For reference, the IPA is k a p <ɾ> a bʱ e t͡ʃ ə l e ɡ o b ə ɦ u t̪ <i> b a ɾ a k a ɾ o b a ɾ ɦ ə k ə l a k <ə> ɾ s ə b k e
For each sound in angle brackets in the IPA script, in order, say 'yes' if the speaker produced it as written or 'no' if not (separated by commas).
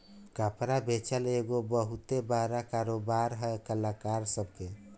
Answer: yes, no, no